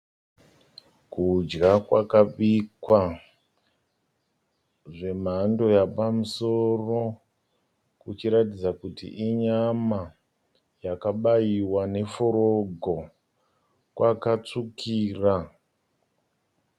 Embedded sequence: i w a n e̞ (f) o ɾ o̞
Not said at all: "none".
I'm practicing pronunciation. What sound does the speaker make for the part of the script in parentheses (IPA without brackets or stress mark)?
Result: f